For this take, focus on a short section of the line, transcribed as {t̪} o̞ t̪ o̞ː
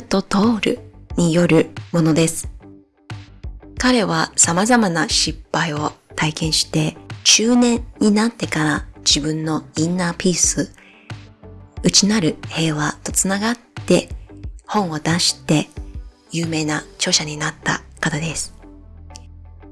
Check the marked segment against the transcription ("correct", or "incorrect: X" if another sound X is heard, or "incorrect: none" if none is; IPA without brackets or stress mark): correct